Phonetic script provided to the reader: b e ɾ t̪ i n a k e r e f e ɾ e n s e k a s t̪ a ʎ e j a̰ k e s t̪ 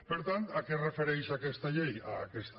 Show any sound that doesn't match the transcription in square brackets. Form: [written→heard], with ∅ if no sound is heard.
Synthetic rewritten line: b e ɾ t̪ [i→a] n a k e r e f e ɾ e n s [e→a] k [a→e] s t̪ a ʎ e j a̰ k e s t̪